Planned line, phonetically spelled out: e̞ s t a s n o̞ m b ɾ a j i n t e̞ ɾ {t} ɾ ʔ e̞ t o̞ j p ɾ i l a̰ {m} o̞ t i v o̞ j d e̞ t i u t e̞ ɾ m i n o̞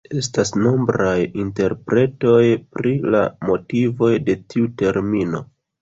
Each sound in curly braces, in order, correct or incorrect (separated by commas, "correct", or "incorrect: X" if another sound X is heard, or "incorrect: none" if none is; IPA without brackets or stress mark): incorrect: p, correct